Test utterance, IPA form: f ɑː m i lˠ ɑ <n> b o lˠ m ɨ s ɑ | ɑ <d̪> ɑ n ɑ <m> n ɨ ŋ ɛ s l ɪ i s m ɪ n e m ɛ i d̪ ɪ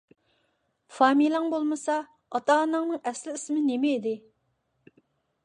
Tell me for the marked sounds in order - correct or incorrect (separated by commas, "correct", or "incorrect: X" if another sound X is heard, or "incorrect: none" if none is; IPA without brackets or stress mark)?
incorrect: ŋ, incorrect: t̪, incorrect: ŋ